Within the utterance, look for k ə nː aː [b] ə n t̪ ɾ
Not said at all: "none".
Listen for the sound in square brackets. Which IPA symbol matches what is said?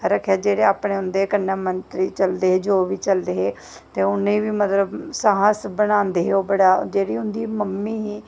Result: m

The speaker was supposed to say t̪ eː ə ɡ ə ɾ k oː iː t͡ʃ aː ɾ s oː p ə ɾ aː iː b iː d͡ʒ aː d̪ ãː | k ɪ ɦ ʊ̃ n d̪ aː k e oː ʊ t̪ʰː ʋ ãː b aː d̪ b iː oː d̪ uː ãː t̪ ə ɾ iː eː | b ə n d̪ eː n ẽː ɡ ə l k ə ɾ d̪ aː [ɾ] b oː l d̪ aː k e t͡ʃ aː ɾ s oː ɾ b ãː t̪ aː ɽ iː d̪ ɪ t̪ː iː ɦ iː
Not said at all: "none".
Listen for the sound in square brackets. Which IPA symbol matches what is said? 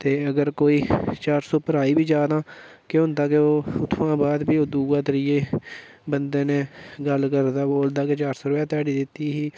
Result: none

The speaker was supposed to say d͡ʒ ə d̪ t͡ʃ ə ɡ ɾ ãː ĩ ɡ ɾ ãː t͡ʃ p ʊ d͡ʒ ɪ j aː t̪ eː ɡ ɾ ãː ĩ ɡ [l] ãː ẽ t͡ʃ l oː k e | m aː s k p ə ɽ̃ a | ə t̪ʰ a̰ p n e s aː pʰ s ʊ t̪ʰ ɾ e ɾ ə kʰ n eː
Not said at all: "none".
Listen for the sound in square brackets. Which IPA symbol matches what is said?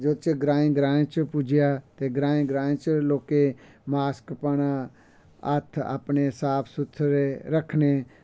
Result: ɾ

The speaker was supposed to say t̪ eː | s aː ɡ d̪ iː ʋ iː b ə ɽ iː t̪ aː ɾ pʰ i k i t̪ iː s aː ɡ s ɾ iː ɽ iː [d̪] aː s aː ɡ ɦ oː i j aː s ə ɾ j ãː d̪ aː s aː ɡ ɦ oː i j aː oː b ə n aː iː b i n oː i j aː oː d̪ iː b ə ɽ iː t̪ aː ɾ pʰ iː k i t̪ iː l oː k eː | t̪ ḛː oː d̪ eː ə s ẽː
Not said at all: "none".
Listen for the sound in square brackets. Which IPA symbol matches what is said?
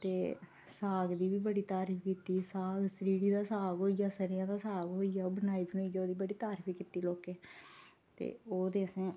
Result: d̪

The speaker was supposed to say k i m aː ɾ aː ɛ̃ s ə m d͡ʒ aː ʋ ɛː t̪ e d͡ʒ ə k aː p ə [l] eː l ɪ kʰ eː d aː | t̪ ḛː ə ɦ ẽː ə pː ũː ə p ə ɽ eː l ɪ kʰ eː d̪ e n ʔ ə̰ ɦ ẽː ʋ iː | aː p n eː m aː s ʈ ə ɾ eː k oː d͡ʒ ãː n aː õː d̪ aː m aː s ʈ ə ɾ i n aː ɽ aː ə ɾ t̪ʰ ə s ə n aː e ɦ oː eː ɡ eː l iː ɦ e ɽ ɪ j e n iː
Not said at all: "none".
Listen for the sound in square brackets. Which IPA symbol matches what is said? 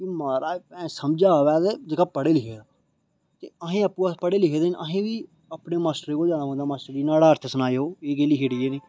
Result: ɽ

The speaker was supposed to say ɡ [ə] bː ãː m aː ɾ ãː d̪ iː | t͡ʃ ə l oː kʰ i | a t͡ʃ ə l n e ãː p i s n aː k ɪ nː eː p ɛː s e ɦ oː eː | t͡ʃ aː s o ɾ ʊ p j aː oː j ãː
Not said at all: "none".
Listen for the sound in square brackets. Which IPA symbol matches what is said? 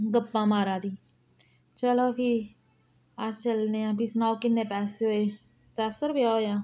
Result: ə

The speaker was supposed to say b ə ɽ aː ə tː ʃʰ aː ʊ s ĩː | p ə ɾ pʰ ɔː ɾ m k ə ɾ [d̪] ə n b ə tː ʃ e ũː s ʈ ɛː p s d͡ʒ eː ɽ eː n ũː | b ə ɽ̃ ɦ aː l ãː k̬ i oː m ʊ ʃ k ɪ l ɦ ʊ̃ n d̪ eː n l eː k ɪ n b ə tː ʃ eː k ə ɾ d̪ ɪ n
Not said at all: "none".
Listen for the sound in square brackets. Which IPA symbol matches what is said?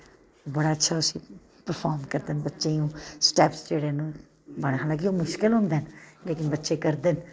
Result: d̪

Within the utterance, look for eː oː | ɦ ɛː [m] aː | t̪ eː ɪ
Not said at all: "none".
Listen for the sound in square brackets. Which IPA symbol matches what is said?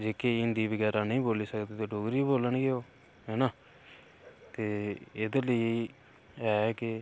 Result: n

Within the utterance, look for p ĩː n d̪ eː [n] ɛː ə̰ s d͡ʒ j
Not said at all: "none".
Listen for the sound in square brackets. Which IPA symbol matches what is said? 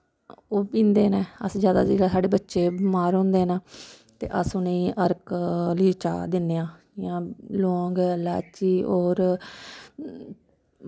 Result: n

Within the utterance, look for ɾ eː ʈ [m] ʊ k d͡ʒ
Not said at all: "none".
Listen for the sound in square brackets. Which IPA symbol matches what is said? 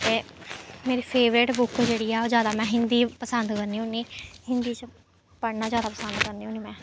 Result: b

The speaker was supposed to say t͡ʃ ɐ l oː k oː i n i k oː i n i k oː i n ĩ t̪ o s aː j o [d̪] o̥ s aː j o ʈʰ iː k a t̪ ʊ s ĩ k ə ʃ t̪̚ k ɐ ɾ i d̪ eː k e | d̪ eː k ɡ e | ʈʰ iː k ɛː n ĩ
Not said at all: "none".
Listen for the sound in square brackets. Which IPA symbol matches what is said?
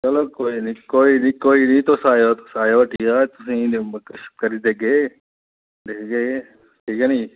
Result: t̪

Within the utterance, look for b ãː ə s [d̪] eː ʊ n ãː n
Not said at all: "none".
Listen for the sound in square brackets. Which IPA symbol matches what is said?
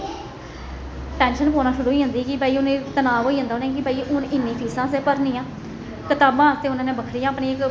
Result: t̪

